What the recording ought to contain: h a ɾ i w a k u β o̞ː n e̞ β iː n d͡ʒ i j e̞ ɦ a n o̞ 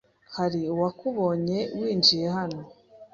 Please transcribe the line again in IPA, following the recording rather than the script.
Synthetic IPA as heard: h a ɾ i w a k u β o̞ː ɲ e̞ w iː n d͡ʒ i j e̞ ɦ a n o̞